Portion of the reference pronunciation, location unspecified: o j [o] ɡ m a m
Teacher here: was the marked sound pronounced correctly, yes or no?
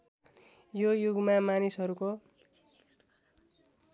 no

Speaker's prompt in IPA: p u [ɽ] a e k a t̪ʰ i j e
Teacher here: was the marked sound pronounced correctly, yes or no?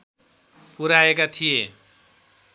no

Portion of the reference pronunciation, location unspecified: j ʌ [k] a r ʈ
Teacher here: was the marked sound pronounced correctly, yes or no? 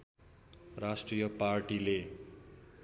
no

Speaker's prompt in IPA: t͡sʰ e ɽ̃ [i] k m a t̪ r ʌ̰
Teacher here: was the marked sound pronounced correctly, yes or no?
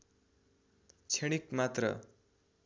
yes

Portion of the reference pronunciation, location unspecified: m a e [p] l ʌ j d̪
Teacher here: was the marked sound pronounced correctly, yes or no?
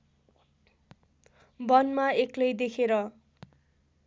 no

